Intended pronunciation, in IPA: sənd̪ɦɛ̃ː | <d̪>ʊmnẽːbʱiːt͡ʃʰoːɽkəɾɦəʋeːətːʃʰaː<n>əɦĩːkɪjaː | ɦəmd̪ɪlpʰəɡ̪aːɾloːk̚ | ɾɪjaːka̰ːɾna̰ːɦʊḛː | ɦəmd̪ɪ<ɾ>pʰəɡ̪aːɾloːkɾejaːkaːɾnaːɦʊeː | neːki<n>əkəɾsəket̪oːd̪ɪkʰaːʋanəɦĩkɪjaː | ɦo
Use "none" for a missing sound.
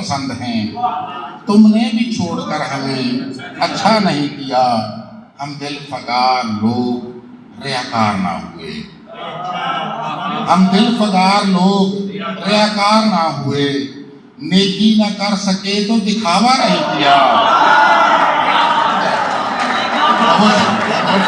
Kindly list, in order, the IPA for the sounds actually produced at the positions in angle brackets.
t̪, n, l, n

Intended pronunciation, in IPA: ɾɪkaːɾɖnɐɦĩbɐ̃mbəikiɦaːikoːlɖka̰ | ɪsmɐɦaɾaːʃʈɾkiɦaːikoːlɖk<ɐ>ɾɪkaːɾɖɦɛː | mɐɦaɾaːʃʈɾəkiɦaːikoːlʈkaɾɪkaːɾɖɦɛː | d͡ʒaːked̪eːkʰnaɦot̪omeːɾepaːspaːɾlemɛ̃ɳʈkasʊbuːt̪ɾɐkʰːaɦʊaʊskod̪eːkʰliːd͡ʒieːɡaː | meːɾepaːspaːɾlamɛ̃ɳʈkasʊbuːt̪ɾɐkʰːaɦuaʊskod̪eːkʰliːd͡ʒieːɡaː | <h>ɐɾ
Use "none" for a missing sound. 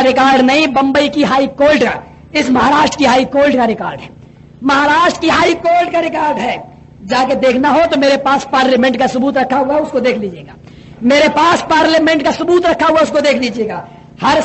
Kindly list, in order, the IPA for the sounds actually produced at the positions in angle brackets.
a, h

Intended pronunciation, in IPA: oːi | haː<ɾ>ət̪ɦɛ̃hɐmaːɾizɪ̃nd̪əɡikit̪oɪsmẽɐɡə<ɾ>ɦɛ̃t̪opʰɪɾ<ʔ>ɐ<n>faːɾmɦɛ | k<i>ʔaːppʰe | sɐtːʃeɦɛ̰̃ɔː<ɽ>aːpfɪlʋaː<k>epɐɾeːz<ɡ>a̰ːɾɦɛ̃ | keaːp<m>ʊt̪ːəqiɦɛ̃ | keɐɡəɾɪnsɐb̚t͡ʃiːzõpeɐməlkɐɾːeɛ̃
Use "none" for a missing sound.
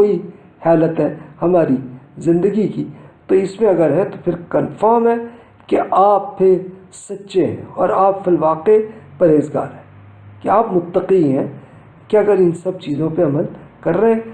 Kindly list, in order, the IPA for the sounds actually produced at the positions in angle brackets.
l, ɾ, k, n, e, ɾ, q, ɡ, m

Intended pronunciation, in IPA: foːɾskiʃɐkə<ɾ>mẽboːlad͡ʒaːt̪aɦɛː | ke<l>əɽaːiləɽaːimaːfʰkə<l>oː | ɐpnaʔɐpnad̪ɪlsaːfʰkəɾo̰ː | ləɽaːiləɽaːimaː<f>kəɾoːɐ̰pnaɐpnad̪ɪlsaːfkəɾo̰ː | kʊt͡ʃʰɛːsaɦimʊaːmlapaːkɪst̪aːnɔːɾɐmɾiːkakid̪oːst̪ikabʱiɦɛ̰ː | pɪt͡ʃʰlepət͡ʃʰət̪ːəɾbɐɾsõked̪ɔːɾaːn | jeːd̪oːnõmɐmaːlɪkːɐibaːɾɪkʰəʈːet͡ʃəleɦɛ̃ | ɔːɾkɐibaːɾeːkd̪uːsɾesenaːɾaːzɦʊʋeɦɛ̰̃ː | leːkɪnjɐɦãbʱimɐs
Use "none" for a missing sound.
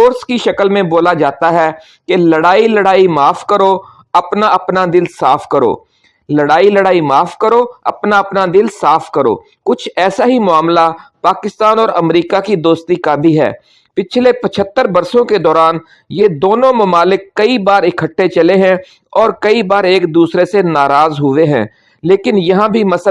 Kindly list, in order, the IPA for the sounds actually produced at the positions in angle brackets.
l, l, ɾ, f

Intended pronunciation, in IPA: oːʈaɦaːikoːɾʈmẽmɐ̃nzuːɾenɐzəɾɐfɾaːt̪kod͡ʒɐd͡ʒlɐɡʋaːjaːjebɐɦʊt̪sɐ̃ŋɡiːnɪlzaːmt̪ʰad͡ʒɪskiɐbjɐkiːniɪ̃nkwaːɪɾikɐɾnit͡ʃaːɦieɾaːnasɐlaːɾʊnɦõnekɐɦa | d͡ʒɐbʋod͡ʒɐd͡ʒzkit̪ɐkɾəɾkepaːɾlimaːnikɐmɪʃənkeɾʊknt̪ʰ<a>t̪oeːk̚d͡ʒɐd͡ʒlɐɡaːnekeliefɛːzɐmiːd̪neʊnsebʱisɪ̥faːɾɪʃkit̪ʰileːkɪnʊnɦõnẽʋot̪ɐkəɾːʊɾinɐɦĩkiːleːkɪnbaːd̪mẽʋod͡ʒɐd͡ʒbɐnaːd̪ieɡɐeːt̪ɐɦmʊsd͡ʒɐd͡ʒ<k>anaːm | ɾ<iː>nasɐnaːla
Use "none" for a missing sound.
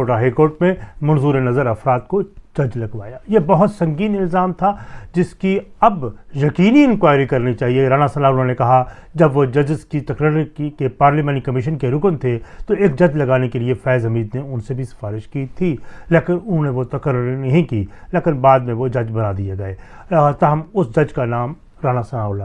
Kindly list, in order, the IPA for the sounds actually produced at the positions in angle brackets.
e, k, aː

